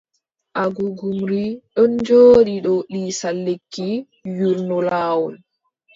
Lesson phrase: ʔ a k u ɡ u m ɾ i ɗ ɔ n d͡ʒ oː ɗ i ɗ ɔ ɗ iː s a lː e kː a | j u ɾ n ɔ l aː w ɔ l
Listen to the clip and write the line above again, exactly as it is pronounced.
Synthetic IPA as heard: ʔ a ɡ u ɡ u m ɾ i ɗ ɔ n d͡ʒ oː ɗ i ɗ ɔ ɗ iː s a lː e kː i | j u ɾ n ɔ l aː w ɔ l